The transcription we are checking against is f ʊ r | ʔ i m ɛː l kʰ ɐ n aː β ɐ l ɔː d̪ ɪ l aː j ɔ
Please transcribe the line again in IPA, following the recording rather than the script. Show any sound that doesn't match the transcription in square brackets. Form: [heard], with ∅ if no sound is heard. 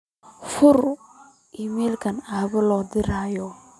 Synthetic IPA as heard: f ʊ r | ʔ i m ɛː l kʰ ɐ n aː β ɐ l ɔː d̪ ɪ [ɾ] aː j ɔ